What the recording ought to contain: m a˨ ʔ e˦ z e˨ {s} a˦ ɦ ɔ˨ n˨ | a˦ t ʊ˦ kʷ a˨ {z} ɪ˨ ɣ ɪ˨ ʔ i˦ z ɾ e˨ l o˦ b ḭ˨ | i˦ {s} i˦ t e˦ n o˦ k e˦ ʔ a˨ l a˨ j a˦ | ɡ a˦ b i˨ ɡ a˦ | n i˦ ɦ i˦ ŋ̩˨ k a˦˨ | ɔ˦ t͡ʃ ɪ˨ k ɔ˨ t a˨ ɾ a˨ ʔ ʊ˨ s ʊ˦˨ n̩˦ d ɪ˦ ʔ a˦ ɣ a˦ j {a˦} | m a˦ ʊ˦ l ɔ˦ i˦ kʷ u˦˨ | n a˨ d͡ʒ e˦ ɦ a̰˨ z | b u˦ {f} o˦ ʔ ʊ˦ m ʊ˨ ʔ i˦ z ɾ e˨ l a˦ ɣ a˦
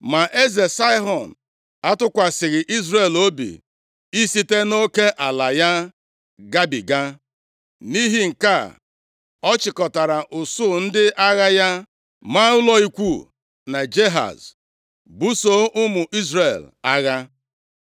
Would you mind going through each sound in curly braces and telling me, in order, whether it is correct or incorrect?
correct, incorrect: s, correct, correct, incorrect: s

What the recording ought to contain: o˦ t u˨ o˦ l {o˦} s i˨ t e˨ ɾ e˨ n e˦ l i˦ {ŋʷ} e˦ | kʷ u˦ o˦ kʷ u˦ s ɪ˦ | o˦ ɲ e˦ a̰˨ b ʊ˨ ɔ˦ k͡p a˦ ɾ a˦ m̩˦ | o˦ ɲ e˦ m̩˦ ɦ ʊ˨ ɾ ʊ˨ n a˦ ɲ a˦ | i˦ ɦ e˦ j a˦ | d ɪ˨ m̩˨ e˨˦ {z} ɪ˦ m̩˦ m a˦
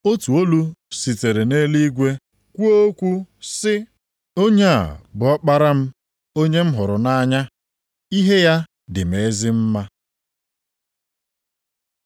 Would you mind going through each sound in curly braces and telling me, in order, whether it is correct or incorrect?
incorrect: u˦, incorrect: ɡʷ, correct

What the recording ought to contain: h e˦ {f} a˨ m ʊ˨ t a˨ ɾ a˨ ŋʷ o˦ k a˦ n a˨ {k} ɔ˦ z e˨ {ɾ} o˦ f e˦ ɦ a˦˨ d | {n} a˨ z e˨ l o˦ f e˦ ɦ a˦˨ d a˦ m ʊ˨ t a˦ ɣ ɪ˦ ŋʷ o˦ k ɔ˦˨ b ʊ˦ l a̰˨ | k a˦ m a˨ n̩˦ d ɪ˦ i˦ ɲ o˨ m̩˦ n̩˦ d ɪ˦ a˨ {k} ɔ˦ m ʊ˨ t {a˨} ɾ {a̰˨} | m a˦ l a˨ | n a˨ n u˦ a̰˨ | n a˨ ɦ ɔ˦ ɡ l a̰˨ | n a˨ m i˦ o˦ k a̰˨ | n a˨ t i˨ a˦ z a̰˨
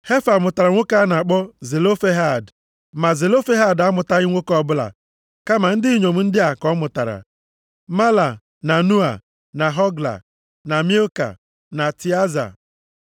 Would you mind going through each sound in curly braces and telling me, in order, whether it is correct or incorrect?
correct, incorrect: k͡p, incorrect: l, incorrect: m, correct, correct, correct

